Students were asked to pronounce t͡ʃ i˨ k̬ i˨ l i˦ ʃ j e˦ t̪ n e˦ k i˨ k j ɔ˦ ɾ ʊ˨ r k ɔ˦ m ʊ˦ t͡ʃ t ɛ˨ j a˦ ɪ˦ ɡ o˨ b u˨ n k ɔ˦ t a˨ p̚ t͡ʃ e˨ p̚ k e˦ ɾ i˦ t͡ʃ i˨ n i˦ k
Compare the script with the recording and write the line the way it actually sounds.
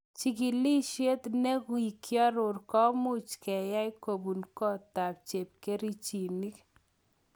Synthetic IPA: t͡ʃ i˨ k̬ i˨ l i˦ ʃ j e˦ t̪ n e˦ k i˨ k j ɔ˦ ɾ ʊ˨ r k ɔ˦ m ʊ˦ t͡ʃ k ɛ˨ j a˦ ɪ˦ k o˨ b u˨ n k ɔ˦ t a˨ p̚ t͡ʃ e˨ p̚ k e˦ ɾ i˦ t͡ʃ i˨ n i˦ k

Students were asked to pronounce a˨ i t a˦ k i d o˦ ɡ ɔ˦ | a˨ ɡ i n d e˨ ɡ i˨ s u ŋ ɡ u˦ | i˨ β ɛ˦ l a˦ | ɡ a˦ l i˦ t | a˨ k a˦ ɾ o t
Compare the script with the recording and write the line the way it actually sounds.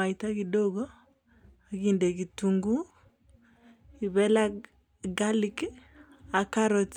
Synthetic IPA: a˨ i t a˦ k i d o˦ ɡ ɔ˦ | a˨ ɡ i n d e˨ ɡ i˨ t u ŋ ɡ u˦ | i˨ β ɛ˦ l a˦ | ɡ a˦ l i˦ k | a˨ k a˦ ɾ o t

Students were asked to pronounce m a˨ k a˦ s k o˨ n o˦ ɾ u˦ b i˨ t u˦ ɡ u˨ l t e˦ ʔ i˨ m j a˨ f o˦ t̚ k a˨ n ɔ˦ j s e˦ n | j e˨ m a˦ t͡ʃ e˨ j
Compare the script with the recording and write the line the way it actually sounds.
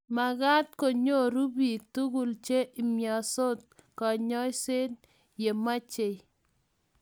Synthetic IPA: m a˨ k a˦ t k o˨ ɲ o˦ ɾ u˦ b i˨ t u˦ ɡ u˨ l t͡ʃ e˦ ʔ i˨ m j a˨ s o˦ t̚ k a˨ ɲ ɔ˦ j s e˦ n | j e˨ m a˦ t͡ʃ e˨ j

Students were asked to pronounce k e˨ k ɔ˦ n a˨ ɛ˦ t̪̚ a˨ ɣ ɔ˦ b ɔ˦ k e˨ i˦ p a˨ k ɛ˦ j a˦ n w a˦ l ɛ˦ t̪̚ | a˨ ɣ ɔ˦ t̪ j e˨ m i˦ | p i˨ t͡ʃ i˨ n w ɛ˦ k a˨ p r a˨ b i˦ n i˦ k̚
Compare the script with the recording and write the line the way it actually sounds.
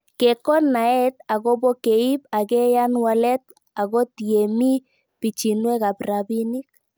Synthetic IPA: k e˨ k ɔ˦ n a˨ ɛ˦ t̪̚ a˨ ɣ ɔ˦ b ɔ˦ k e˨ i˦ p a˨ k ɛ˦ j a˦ n w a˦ l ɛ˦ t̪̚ | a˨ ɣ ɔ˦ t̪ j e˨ m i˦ | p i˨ t͡ʃ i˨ n w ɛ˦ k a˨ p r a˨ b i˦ n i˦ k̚

